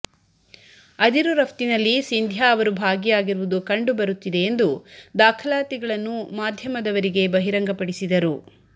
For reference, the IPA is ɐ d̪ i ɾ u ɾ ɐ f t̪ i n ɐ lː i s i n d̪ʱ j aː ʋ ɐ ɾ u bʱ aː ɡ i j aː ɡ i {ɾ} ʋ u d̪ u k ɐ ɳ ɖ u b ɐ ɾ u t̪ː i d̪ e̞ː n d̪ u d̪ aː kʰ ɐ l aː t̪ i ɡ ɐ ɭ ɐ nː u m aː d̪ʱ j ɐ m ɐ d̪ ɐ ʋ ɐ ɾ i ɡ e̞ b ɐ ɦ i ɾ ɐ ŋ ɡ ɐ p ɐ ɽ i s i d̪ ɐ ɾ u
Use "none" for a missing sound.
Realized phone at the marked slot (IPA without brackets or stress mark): ɾ